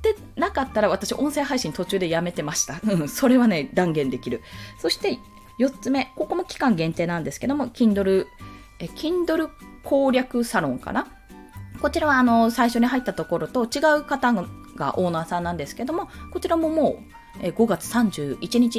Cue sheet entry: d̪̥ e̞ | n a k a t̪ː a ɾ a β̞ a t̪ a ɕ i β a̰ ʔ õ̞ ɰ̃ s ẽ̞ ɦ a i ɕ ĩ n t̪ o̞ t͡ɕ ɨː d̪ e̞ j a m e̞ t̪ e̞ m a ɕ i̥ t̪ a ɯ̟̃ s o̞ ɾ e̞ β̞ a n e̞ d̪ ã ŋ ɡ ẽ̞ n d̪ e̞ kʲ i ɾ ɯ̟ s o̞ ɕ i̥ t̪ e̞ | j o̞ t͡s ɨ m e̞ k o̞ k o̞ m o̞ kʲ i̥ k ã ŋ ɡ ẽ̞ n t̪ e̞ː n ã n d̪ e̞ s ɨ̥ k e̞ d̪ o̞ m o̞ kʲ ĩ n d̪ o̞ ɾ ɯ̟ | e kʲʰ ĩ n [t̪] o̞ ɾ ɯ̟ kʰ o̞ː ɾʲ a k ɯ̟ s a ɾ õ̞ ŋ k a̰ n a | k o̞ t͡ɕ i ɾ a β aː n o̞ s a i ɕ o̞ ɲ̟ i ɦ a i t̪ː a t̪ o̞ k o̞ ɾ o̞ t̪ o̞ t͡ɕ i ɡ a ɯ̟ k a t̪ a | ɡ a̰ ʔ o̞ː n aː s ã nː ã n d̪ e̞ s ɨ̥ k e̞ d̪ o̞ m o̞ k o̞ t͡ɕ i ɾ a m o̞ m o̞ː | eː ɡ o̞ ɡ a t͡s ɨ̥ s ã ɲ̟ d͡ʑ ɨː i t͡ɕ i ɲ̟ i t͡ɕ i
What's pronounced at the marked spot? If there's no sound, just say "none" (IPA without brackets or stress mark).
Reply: d̪